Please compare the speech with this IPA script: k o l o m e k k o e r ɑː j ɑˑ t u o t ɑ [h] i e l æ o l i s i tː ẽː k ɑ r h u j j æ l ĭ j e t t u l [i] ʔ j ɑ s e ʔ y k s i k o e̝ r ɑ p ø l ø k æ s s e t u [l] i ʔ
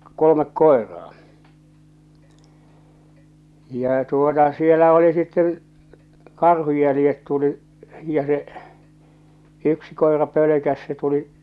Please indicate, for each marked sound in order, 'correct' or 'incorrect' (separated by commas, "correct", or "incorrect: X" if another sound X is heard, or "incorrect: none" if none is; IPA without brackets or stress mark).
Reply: incorrect: s, correct, correct